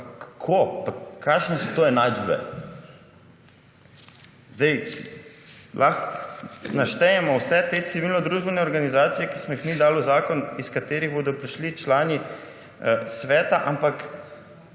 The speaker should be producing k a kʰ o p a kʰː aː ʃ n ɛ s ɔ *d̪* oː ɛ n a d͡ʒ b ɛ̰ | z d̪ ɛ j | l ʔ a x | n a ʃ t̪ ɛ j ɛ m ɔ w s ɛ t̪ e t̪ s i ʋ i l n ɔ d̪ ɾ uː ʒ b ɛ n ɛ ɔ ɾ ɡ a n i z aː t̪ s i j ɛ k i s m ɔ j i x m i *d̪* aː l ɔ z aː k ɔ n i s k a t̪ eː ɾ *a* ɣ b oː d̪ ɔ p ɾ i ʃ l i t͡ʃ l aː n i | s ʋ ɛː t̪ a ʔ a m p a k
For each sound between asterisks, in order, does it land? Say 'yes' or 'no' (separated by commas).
no, yes, no